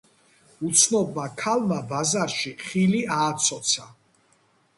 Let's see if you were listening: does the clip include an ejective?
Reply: no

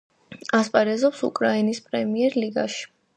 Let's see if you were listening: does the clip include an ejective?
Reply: yes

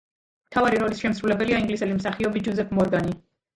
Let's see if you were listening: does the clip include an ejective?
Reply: no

